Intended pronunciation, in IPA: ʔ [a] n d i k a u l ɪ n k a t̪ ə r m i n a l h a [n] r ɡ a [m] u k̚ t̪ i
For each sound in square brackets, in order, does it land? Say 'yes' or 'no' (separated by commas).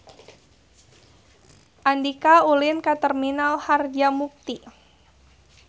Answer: yes, no, yes